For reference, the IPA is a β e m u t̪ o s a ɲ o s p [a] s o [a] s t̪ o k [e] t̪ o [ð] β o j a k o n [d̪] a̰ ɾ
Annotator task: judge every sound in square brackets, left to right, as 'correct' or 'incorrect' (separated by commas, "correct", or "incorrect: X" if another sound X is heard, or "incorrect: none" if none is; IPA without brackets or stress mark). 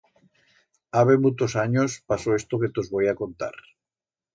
correct, incorrect: e, correct, incorrect: z, incorrect: t̪